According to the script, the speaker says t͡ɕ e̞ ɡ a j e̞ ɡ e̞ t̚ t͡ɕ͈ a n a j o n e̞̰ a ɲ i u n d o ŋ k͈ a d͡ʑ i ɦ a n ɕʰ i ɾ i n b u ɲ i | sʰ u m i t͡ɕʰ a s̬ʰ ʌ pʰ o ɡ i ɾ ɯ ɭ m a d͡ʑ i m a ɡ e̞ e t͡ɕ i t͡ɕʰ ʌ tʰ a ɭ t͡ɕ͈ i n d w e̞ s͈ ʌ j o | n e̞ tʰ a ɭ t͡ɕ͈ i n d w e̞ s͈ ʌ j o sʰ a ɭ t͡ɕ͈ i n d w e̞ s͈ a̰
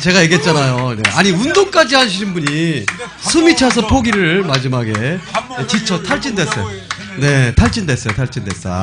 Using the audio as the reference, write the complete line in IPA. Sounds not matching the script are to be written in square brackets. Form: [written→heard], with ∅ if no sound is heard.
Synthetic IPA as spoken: t͡ɕ e̞ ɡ a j e̞ ɡ e̞ t̚ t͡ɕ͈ a n a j o n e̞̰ a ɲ i u n d o ŋ k͈ a d͡ʑ i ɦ a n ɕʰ i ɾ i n b u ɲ i | sʰ u m i t͡ɕʰ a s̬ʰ ʌ pʰ o ɡ i ɾ ɯ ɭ m a d͡ʑ i m a ɡ e̞ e t͡ɕ i t͡ɕʰ ʌ tʰ a ɭ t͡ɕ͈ i n d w e̞ s͈ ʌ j o | n e̞ tʰ a ɭ t͡ɕ͈ i n d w e̞ s͈ ʌ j o [sʰ→tʰ] a ɭ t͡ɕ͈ i n d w e̞ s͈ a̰